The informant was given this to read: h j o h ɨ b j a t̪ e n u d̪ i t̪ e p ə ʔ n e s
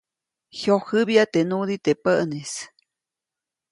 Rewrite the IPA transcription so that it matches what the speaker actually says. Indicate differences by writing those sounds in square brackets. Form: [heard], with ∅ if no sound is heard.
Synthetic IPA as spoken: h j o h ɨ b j a t̪ e n u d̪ i t̪ e p ə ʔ n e s

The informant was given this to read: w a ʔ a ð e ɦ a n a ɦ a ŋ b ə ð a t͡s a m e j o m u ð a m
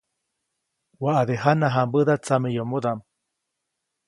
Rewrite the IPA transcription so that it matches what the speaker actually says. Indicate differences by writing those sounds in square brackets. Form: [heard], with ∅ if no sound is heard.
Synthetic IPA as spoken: w a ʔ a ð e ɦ a n a ɦ a [m] b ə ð a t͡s a m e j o m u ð a m

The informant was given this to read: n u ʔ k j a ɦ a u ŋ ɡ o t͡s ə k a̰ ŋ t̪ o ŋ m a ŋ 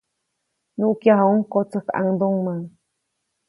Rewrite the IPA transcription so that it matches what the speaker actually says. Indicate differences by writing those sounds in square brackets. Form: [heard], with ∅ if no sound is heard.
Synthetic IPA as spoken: n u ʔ k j a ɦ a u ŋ [k] o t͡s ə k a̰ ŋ [d̪] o ŋ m a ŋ

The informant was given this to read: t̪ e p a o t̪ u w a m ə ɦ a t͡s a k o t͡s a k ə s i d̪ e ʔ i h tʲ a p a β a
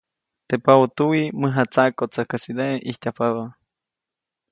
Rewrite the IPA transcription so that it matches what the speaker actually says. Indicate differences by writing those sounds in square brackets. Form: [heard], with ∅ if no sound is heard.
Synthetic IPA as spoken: t̪ e p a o t̪ u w [i] m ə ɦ a t͡s a k o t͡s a k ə s i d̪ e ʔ i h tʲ a p a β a

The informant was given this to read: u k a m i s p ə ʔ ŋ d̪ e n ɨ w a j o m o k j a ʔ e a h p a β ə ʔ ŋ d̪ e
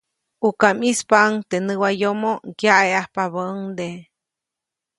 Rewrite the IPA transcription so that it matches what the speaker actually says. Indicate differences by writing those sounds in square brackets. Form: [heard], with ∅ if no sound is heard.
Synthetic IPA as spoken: u k a m i s p [a] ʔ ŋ [t̪] e n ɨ w a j o m o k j a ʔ e a h p a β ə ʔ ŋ d̪ e

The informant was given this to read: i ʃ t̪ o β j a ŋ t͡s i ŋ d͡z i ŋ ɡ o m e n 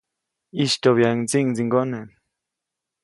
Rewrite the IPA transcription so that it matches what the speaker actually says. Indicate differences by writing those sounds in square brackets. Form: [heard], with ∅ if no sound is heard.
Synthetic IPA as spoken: i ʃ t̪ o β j a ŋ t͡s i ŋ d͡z i ŋ ɡ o [n] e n

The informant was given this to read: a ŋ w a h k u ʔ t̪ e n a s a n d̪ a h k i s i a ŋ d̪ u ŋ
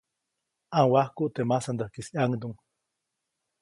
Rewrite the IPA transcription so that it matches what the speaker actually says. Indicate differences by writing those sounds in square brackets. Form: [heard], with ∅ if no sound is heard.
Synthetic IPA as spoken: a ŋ w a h k u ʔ t̪ e [m] a s a n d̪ a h k i s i a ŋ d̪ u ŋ

